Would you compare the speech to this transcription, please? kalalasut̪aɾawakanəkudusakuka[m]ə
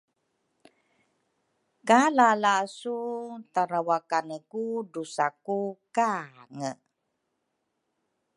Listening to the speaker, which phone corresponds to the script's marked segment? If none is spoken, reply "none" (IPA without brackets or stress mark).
ŋ